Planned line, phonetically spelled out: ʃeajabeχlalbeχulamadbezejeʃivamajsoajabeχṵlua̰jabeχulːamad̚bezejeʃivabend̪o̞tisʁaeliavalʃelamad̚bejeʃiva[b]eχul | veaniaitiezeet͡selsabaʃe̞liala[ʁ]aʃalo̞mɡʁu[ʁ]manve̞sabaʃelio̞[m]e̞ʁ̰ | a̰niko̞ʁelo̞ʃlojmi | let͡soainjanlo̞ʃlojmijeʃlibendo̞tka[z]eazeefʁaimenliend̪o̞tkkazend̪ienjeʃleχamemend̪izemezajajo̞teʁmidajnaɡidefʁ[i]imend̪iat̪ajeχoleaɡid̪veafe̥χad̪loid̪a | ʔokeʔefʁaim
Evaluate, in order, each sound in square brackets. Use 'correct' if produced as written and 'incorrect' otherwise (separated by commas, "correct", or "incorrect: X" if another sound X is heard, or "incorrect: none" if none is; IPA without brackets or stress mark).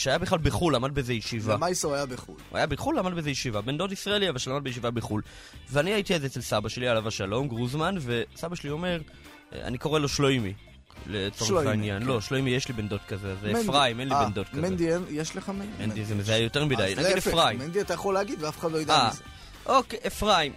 correct, incorrect: v, incorrect: z, correct, correct, incorrect: a